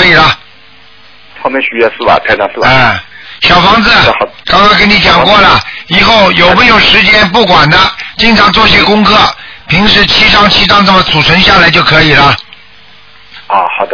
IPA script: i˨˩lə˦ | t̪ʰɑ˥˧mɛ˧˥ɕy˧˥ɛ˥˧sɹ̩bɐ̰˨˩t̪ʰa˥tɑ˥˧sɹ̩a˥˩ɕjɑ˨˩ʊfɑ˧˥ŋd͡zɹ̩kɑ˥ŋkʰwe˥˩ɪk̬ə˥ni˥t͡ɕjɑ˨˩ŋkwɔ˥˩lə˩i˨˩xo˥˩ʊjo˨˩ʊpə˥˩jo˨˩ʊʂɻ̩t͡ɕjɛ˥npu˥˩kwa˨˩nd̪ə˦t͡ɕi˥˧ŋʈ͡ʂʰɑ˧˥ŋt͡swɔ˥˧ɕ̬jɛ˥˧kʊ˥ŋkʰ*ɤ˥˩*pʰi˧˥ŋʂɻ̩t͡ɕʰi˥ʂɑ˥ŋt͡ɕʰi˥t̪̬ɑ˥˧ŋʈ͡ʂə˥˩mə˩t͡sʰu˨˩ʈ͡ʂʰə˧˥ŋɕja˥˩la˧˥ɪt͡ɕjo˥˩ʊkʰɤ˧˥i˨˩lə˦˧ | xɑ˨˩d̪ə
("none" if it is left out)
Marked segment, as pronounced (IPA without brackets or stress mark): ɤ˥˩